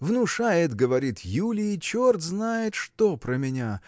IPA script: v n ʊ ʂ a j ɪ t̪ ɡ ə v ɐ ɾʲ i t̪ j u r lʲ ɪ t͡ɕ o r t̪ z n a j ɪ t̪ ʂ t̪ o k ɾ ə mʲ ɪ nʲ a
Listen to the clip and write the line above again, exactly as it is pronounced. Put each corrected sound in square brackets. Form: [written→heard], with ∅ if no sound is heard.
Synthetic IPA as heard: v n ʊ ʂ a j ɪ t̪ ɡ ə v ɐ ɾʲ i t̪ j u [r→∅] lʲ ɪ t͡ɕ o r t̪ z n a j ɪ t̪ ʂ t̪ o [k→p] ɾ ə mʲ ɪ nʲ a

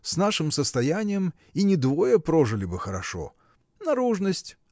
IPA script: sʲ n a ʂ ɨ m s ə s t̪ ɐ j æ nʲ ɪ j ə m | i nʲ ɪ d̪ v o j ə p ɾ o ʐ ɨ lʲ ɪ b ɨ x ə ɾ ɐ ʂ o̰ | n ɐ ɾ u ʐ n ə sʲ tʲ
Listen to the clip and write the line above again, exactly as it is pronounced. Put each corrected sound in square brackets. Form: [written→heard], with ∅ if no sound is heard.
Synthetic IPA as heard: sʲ n a ʂ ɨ m s ə s t̪ ɐ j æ nʲ ɪ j ə m | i nʲ ɪ d̪ v o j ə p ɾ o ʐ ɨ lʲ ɪ b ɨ x ə ɾ ɐ ʂ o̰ | n ɐ ɾ u ʐ n ə sʲ tʲ

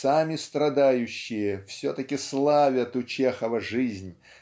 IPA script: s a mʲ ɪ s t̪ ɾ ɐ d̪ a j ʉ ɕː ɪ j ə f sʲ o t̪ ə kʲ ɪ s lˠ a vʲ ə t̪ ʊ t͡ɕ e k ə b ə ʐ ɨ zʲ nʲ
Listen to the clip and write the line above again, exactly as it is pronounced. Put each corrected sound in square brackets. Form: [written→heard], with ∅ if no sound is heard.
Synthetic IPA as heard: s a mʲ ɪ s t̪ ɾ ɐ d̪ a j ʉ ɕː ɪ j ə f sʲ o t̪ ə kʲ ɪ s lˠ a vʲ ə t̪ ʊ t͡ɕ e [k→x] ə [b→v] ə ʐ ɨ zʲ nʲ

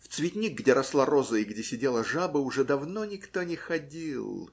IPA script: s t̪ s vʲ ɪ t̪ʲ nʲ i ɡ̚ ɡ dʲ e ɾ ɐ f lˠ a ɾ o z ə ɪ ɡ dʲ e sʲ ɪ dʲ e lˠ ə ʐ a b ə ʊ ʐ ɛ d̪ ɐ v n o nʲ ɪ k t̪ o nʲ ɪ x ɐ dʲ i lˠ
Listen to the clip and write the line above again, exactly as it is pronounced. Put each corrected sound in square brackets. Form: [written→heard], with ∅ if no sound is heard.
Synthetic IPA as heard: [s→f] t̪ s vʲ ɪ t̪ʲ nʲ i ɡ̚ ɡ dʲ e ɾ ɐ [f→s] lˠ a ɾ o z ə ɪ ɡ dʲ e sʲ ɪ dʲ e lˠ ə ʐ a b ə ʊ ʐ ɛ d̪ ɐ v n o nʲ ɪ k t̪ o nʲ ɪ x ɐ dʲ i lˠ

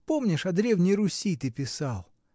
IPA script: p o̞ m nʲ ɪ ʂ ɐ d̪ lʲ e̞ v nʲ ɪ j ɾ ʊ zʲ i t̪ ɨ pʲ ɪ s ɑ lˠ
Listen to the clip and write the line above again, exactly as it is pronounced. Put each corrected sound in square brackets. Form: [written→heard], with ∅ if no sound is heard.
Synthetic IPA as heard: p o̞ m nʲ ɪ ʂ ɐ d̪ [lʲ→ɾʲ] e̞ v nʲ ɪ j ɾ ʊ [zʲ→sʲ] i t̪ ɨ pʲ ɪ s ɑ lˠ

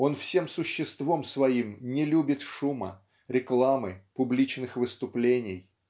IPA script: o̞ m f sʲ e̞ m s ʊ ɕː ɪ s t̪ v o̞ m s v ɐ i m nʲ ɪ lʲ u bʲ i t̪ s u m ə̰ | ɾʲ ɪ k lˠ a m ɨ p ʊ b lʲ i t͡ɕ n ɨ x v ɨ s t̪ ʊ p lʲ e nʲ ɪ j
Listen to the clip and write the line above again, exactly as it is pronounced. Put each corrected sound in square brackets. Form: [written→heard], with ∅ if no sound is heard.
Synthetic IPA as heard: o̞ [m→n] f sʲ e̞ m s ʊ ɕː ɪ s t̪ v o̞ m s v ɐ i m nʲ ɪ lʲ u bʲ [i→ɪ] t̪ [s→ʂ] u m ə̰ | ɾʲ ɪ k lˠ a m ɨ p ʊ b lʲ i t͡ɕ n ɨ x v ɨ s t̪ ʊ p lʲ e nʲ ɪ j

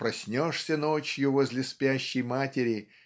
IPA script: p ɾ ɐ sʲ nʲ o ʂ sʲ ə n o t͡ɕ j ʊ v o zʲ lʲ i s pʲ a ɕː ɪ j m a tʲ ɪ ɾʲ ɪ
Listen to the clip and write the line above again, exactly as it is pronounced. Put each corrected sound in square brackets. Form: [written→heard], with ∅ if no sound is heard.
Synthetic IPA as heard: p ɾ ɐ sʲ nʲ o ʂ sʲ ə n o t͡ɕ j ʊ v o zʲ lʲ [i→ɪ] s pʲ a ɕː ɪ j m a tʲ ɪ ɾʲ ɪ

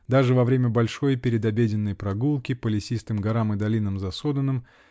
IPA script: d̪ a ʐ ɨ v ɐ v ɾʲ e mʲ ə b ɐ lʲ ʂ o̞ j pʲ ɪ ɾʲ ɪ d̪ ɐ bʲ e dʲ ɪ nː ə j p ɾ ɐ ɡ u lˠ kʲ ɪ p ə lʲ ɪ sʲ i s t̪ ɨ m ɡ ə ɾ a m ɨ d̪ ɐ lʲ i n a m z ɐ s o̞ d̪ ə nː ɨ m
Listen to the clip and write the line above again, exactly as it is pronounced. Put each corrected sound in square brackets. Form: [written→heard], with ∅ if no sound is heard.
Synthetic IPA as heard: d̪ a ʐ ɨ v ɐ v ɾʲ e mʲ ə b ɐ lʲ ʂ o̞ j pʲ ɪ ɾʲ ɪ d̪ ɐ bʲ e dʲ ɪ nː ə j p ɾ ɐ ɡ u lˠ kʲ ɪ p ə lʲ ɪ sʲ i s t̪ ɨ m ɡ [ə→ɐ] ɾ a m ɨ d̪ ɐ lʲ i n [a→ə] m z ɐ s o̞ d̪ ə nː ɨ m

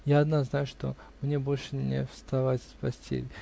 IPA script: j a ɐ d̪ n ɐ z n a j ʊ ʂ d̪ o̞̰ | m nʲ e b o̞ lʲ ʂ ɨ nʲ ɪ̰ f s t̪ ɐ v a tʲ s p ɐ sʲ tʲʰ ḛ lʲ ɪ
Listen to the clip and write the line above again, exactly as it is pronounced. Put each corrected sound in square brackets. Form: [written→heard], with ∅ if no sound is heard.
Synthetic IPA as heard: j a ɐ d̪ n [ɐ→a] z n a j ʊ ʂ [d̪→t̪] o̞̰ | m nʲ e b o̞ lʲ ʂ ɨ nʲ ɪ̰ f s t̪ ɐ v a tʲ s p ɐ sʲ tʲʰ ḛ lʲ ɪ

